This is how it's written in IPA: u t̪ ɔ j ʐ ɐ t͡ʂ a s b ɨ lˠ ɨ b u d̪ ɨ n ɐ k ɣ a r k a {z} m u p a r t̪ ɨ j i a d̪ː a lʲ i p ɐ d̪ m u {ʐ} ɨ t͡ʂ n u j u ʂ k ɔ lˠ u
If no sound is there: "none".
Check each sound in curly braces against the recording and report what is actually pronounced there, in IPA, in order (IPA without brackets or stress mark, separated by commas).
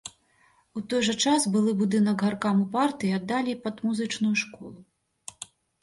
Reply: none, z